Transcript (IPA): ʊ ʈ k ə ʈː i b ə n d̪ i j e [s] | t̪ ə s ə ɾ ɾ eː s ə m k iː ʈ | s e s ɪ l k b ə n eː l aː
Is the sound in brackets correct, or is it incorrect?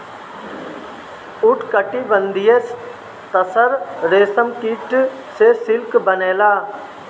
correct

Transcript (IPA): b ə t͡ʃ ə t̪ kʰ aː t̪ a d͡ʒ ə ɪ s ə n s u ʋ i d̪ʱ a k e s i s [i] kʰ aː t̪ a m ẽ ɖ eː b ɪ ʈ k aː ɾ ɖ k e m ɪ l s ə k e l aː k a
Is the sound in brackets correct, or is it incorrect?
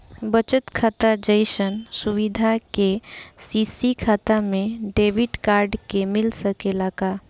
correct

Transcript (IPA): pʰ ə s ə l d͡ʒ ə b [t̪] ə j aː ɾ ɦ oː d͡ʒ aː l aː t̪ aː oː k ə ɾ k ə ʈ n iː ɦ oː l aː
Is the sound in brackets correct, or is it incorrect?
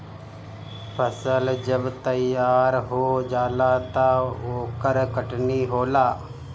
correct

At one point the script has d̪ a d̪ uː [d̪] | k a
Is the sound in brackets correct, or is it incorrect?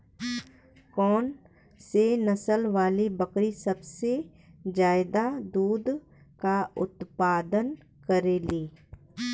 correct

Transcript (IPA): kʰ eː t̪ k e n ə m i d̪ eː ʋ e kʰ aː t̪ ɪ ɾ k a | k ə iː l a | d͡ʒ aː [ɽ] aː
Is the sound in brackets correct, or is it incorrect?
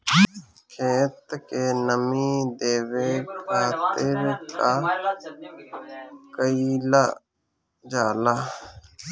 incorrect: l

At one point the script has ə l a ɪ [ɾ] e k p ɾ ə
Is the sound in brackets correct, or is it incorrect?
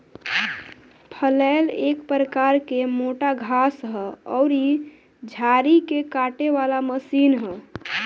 incorrect: l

